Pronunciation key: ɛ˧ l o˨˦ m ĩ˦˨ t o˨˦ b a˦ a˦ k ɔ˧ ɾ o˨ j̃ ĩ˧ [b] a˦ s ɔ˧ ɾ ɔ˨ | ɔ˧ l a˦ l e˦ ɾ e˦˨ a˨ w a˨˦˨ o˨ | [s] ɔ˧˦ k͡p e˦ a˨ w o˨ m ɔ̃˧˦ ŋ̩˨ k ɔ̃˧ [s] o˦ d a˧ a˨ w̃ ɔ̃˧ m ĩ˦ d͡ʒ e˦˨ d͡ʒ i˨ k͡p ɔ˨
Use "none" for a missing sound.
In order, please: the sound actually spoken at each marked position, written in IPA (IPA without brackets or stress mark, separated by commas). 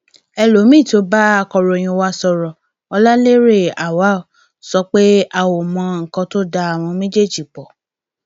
w, s, t